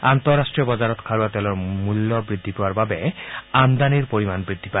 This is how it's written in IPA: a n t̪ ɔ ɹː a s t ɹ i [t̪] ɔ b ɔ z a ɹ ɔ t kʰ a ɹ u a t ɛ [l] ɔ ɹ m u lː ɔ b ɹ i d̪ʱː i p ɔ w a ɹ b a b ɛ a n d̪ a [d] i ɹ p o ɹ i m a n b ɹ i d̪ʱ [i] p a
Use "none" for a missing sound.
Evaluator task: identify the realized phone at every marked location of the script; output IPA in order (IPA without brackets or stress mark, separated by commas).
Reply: none, l, n, i